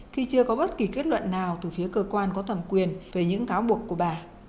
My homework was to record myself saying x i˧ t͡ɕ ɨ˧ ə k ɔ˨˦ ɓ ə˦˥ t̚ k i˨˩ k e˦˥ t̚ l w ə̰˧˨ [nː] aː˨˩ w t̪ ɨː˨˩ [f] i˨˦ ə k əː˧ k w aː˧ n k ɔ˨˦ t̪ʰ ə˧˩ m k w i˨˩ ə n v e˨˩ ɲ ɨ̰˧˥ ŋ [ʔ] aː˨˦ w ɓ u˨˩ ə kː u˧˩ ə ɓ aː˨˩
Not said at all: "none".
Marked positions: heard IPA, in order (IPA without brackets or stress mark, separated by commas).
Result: nː, f, k